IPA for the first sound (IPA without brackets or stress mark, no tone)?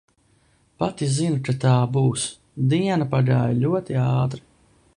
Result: p